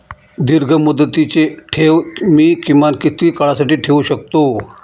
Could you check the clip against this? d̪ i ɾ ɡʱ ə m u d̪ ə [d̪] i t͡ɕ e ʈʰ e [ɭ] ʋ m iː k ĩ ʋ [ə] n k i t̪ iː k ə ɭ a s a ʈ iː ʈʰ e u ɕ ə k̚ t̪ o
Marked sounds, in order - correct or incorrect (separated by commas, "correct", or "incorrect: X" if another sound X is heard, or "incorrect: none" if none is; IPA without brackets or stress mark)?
incorrect: t̪, incorrect: none, incorrect: a